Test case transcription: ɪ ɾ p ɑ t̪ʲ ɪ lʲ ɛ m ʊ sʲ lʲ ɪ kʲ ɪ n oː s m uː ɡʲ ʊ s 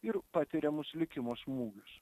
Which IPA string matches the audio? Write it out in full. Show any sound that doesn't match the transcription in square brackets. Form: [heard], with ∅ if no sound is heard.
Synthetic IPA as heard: ɪ ɾ p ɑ t̪ʲ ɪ [ɾʲ] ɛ m ʊ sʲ lʲ ɪ kʲ ɪ [m] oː s m uː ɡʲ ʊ s

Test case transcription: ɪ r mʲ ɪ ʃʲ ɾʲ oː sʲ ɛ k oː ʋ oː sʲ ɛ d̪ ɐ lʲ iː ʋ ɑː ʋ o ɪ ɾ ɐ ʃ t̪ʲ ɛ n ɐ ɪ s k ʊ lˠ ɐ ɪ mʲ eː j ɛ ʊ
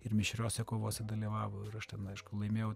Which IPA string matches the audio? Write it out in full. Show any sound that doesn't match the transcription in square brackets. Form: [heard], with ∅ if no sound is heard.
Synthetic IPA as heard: ɪ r mʲ ɪ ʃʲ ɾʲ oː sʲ ɛ k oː ʋ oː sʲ ɛ d̪ ɐ lʲ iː ʋ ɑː ʋ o ɪ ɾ ɐ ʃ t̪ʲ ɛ n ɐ ɪ [ʃ] k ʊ lˠ ɐ ɪ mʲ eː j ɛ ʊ

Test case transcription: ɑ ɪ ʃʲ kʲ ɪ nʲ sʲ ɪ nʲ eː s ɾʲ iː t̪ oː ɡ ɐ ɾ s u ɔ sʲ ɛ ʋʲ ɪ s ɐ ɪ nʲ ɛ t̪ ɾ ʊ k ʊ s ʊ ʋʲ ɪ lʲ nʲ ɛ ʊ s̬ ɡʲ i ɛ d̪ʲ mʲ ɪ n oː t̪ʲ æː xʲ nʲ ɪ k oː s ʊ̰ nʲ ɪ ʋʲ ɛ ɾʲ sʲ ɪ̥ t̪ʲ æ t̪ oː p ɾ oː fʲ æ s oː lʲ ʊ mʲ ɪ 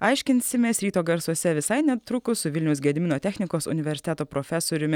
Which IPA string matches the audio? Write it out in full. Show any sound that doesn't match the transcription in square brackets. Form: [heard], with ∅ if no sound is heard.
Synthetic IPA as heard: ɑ ɪ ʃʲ kʲ ɪ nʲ sʲ ɪ [mʲ] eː s ɾʲ iː t̪ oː ɡ ɐ ɾ s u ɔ sʲ ɛ ʋʲ ɪ s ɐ ɪ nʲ ɛ t̪ ɾ ʊ k ʊ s ʊ ʋʲ ɪ lʲ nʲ ɛ ʊ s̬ ɡʲ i ɛ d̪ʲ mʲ ɪ n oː t̪ʲ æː xʲ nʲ ɪ k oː s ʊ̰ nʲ ɪ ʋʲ ɛ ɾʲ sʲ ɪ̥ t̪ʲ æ t̪ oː p ɾ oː fʲ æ s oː [ɾʲ] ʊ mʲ ɪ

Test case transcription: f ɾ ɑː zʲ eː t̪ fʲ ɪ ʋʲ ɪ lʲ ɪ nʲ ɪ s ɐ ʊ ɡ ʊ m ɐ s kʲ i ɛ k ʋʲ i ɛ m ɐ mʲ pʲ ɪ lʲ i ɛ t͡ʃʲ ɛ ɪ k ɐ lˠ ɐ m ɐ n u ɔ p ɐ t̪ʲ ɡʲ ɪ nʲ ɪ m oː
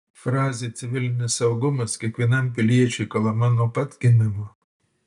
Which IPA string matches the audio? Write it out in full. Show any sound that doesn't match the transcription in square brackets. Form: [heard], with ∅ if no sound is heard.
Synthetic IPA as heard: f ɾ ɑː zʲ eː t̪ [sʲ] ɪ ʋʲ ɪ lʲ ɪ nʲ ɪ s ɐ ʊ ɡ ʊ m ɐ s kʲ i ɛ k ʋʲ i ɛ [n] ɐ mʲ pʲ ɪ lʲ i ɛ t͡ʃʲ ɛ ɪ k ɐ lˠ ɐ m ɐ n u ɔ p ɐ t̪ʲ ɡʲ ɪ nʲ ɪ m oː

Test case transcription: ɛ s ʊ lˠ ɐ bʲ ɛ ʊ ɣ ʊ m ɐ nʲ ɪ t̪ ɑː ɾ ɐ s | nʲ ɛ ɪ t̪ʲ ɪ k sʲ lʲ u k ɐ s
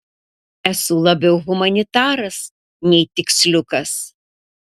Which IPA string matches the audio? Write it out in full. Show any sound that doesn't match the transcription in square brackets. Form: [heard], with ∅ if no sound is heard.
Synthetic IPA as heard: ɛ s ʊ lˠ ɐ bʲ ɛ ʊ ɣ ʊ m ɐ nʲ ɪ t̪ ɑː ɾ ɐ s | nʲ ɛ ɪ t̪ʲ ɪ k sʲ lʲ [ʊ] k ɐ s

